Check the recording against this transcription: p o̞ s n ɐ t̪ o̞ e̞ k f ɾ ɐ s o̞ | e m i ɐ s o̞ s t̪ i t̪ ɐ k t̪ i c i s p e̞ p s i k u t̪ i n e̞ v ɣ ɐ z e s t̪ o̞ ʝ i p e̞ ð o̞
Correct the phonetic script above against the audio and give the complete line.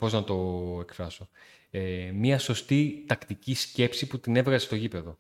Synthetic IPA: p o̞ z n ɐ t̪ o̞ e̞ k f ɾ ɐ s o̞ | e m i ɐ s o̞ s t̪ i t̪ ɐ k t̪ i c i s c e̞ p s i p u t̪ i n e̞ v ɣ ɐ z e s t̪ o̞ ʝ i p e̞ ð o̞